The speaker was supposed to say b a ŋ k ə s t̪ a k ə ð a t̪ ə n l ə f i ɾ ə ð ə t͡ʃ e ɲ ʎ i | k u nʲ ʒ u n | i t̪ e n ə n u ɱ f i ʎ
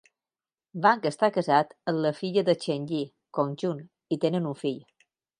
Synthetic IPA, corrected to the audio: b a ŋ k ə s t̪ a k ə z a t̪ ə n l ə f i ʎ ə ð ə t͡ʃ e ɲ ʎ i | k o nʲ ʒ u n | i t̪ e n ə n u ɱ f i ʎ